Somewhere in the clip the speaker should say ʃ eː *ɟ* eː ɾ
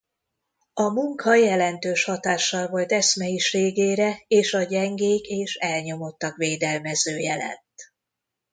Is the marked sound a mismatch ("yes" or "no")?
yes